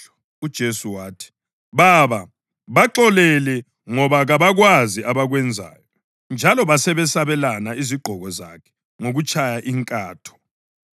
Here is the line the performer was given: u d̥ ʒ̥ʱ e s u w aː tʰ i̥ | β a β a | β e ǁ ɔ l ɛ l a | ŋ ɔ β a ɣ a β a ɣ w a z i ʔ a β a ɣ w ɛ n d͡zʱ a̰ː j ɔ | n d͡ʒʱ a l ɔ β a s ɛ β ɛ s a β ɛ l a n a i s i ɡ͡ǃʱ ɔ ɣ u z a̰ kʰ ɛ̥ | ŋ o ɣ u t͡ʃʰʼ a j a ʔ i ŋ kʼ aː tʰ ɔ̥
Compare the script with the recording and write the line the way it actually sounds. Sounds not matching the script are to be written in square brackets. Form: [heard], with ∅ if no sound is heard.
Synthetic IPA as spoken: u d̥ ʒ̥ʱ e s u w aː tʰ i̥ | β a β a | β [a] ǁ ɔ l ɛ l [ɛ] | ŋ ɔ β a ɣ a β a ɣ w a z i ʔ a β a ɣ w ɛ n d͡zʱ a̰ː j ɔ | n d͡ʒʱ a l ɔ β a s ɛ β ɛ s a β ɛ l a n a i [z] i ɡ͡ǃʱ ɔ ɣ [ɔ] z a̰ kʰ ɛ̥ | ŋ o ɣ u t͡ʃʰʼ a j a ʔ i ŋ kʼ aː tʰ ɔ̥

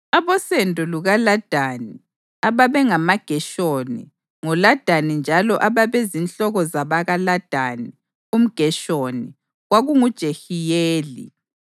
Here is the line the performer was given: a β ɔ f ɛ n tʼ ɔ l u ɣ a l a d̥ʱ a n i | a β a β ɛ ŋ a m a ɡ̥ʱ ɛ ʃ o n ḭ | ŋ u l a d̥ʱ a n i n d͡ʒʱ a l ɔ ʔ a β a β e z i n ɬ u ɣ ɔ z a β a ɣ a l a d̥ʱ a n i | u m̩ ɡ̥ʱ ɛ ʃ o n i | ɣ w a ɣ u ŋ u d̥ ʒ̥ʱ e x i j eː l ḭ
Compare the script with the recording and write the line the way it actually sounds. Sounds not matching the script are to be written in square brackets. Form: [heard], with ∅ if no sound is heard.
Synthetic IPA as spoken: a β ɔ [s] ɛ n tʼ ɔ l u ɣ a l a d̥ʱ a n i | a β a β ɛ ŋ a m a ɡ̥ʱ ɛ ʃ o n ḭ | ŋ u l a d̥ʱ a n i n d͡ʒʱ a l ɔ ʔ a β a β e z i n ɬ [ɔ] ɣ ɔ z a β a ɣ a l a d̥ʱ a n i | u m̩ ɡ̥ʱ ɛ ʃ o n i | ɣ w a ɣ u ŋ u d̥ ʒ̥ʱ e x i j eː l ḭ

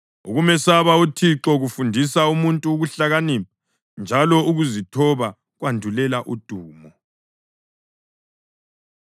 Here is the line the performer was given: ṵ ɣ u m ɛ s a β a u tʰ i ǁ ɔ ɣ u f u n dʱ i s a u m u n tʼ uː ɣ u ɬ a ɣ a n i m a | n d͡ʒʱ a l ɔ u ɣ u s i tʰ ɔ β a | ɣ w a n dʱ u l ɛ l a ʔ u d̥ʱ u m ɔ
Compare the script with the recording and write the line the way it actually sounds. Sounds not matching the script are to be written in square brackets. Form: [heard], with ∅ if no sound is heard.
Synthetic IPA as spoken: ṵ ɣ u m ɛ s a β a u tʰ i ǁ ɔ ɣ u f u n dʱ i s a u m u n tʼ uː ɣ u ɬ a ɣ a n i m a | n d͡ʒʱ a l ɔ u ɣ u [z] i tʰ ɔ β a | ɣ w a n dʱ u l ɛ l a ʔ u d̥ʱ [uː] m ɔ

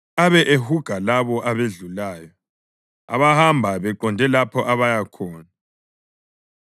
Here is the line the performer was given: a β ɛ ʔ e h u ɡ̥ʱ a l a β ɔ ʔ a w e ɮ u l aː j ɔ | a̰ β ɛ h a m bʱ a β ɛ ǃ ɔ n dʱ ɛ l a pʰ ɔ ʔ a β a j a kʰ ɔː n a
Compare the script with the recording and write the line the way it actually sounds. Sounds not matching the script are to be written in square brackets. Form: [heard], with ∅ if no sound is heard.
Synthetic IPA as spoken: a β ɛ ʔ e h u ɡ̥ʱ a l a β ɔ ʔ a [β] e ɮ u l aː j ɔ | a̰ β [a] h a m bʱ a β ɛ ǃ ɔ n dʱ ɛ l a pʰ ɔ ʔ a β a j a kʰ ɔː n a

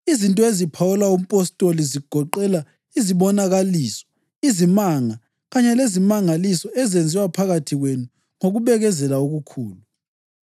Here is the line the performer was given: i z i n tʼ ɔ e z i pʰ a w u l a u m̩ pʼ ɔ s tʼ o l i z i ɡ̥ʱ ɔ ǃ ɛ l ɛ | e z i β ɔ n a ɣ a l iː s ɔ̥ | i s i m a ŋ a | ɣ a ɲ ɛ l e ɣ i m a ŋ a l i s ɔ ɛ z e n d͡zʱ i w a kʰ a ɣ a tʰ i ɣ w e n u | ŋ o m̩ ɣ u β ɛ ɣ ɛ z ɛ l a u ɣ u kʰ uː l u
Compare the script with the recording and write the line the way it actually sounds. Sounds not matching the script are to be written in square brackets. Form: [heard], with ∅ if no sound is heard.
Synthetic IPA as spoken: i z i n tʼ ɔ e z i pʰ a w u l a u m̩ pʼ ɔ s tʼ o l i z i ɡ̥ʱ ɔ ǃ ɛ l [a] | [i] z i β ɔ n a ɣ a l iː s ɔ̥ | i [z] i m a ŋ a | ɣ a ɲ ɛ l e [z] i m a ŋ a l i s ɔ ɛ z e n d͡zʱ i w a [pʰ] a ɣ a tʰ i ɣ w e n u | ŋ o [∅] ɣ u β ɛ ɣ ɛ z ɛ l a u ɣ u kʰ uː l u

